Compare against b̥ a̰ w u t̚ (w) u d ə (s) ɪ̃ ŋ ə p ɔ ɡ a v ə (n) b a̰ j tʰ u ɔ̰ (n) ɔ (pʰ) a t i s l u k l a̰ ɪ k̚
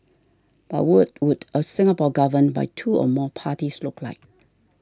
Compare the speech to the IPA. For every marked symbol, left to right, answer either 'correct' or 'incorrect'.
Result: correct, correct, correct, incorrect: m, correct

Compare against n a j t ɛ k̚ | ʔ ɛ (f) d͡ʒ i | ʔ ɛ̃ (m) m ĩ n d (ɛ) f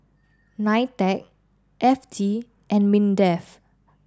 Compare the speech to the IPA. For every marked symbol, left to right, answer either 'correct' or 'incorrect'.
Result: correct, incorrect: n, correct

